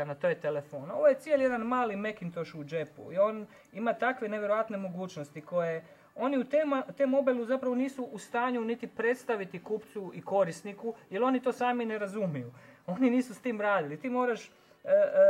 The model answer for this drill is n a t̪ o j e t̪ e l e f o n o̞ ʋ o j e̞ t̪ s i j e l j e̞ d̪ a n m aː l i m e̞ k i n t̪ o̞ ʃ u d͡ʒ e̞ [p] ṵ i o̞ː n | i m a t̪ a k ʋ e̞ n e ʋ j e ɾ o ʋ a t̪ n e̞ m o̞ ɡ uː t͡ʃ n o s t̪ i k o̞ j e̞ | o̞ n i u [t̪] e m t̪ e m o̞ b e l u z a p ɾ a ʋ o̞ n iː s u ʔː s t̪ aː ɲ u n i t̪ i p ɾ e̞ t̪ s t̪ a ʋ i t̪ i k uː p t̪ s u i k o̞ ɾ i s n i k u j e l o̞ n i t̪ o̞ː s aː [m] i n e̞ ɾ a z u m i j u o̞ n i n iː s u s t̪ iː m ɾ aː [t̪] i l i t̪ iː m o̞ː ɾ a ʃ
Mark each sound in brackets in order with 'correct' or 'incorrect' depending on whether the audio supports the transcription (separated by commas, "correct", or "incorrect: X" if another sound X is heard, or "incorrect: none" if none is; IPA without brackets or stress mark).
correct, correct, correct, incorrect: d̪